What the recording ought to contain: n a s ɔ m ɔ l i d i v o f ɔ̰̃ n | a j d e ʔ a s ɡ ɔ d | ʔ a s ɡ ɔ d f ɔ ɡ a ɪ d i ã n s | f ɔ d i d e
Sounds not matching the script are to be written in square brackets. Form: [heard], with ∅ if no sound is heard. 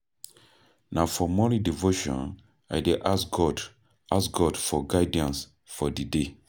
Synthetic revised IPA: n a [f] ɔ m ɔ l i d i v o [ʃ] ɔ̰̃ n | a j d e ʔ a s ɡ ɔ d | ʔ a s ɡ ɔ d f ɔ ɡ a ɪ d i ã n s | f ɔ d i d e